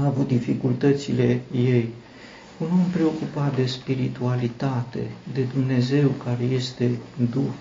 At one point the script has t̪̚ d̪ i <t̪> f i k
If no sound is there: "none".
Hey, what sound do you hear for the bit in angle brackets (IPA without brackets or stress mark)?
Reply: none